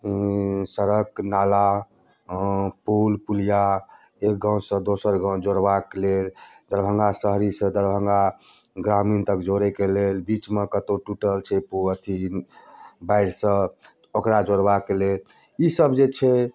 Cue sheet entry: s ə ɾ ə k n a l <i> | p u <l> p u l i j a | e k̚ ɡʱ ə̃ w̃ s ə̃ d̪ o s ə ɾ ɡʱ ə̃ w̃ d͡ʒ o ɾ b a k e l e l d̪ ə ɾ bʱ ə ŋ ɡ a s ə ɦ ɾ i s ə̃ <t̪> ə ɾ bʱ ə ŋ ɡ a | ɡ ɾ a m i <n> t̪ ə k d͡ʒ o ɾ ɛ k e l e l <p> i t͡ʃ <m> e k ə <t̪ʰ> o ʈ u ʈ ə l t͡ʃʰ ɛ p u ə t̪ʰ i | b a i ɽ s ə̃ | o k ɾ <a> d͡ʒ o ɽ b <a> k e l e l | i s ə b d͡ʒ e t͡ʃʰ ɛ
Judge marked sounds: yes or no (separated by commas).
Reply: no, yes, no, yes, no, yes, no, yes, yes